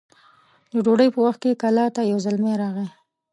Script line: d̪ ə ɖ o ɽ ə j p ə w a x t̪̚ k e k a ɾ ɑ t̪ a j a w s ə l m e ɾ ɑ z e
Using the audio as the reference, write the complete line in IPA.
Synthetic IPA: d̪ ə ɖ o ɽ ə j p ə w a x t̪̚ k e k a l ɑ t̪ a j a w z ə l m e ɾ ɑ ɣ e